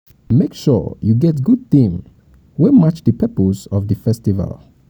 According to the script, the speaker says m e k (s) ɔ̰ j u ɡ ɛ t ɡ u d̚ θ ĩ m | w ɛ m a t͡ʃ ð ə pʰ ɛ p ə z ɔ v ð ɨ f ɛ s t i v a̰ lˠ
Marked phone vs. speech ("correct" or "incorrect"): incorrect